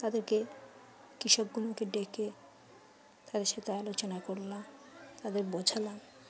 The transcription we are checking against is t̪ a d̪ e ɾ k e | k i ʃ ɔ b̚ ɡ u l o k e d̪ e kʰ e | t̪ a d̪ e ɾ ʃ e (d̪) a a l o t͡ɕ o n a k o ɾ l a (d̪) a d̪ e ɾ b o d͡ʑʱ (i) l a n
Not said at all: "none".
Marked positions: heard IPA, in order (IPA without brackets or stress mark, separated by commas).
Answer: t̪, t̪, a